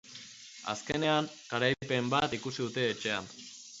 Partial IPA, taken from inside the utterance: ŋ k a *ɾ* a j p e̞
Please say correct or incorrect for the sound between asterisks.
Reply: correct